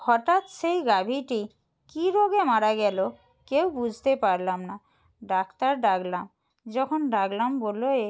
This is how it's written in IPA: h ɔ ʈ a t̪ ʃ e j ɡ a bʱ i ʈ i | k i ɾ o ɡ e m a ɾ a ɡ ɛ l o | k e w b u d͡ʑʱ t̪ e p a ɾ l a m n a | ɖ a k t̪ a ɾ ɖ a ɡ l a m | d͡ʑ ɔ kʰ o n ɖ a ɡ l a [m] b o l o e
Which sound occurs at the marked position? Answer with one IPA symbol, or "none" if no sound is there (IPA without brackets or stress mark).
m